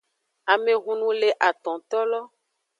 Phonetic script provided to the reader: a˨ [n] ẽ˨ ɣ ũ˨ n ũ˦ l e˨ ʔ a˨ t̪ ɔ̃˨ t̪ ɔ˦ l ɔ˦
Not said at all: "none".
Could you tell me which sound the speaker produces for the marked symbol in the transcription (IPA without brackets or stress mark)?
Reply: m